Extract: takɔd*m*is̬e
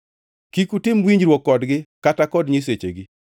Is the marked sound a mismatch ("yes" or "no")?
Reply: yes